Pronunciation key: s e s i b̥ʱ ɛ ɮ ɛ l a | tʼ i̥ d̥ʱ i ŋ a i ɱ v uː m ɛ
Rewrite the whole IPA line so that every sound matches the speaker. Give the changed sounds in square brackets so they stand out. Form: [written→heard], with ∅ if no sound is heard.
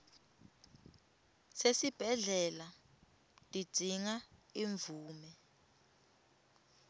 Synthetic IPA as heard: s e s i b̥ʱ ɛ ɮ ɛ l a | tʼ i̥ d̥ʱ i ŋ a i ɱ v uː m ɛ